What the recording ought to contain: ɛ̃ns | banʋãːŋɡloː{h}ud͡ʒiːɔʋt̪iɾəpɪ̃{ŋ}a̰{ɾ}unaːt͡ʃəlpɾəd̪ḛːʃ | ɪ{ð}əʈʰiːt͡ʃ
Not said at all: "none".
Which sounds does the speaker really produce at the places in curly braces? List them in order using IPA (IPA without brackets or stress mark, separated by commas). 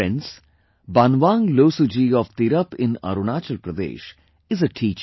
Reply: s, n, ɾ, z